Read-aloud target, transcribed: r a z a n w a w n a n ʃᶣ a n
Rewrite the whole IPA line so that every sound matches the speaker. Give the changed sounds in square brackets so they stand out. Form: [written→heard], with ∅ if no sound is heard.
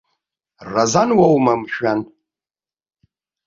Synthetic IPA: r a z a n w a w [n→m] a [n→m] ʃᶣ a n

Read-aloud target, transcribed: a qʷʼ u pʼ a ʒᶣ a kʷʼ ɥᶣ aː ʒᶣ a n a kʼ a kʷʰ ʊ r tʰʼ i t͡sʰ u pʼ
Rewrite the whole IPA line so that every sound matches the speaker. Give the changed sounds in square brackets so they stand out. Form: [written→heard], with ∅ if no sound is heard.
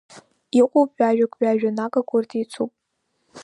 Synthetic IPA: [a→i] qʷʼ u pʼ a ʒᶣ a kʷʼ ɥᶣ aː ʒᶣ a n a kʼ a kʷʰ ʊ r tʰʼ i t͡sʰ u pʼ

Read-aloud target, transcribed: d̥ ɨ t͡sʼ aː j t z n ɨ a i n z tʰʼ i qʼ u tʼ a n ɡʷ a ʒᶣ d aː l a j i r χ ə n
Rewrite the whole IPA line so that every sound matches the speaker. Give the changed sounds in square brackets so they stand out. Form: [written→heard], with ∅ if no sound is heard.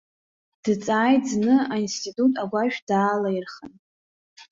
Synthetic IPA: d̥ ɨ t͡sʼ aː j t z n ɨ a i n [z→s] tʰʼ i [qʼ→tʼ] u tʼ a [n→∅] ɡʷ a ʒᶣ d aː l a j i r χ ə n

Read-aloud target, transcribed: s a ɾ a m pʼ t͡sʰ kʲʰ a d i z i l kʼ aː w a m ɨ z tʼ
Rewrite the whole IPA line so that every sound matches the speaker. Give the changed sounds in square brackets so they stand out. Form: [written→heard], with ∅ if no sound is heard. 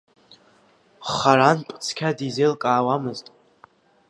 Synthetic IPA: [s→χ] a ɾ a [m→n] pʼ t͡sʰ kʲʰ a d i z [i→e] l kʼ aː w a m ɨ z tʼ

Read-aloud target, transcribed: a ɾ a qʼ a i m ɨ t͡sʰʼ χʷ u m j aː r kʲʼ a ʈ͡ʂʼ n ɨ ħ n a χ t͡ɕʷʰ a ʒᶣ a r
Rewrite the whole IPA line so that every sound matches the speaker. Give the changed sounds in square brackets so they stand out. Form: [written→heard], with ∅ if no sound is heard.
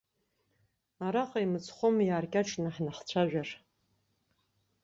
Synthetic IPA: a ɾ a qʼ a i m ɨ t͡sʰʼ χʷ [u→o] m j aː r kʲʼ a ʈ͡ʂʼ n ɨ ħ n a χ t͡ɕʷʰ a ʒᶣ a r

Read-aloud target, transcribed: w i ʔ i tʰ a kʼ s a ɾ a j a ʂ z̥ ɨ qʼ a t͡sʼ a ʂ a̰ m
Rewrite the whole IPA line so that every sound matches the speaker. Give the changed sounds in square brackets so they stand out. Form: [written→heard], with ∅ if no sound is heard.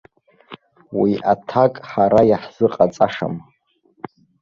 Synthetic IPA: w i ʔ [i→a] tʰ a kʼ [s→ħ] a ɾ a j a [ʂ→ħ] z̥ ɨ qʼ a t͡sʼ a ʂ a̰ m

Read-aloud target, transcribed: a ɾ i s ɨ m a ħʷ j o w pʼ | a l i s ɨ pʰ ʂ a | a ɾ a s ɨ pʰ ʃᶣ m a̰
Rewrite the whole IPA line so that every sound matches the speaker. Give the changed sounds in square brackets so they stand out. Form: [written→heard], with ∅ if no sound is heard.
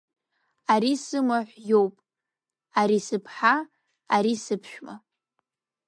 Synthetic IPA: a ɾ i s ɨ m a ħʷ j o w pʼ | a [l→ɾ] i s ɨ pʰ [ʂ→ħ] a | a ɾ [a→i] s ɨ pʰ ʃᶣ m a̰

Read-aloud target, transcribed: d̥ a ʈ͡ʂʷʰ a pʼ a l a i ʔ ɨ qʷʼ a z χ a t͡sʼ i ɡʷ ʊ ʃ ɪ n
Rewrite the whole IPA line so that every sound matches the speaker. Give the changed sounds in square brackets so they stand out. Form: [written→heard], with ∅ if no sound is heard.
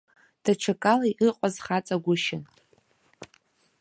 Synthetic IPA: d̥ a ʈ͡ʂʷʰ a [pʼ→kʼ] a l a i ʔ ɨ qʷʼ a z χ a t͡sʼ [i→a] ɡʷ ʊ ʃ ɪ n

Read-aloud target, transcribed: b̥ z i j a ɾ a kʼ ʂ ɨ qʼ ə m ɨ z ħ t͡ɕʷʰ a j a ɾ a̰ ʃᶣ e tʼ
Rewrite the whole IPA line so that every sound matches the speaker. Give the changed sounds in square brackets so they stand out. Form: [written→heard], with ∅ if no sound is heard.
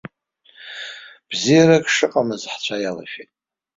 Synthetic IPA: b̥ z i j a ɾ a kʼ ʂ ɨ qʼ [ə→a] m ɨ z ħ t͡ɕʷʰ a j a [ɾ→l] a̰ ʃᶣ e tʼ

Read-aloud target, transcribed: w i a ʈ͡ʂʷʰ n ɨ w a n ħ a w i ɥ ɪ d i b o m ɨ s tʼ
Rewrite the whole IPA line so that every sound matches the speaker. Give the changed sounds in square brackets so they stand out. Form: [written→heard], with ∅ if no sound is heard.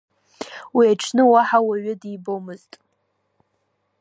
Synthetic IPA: w i a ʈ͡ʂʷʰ n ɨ w a [n→∅] ħ a w [i→a] ɥ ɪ d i b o m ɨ [s→z] tʼ

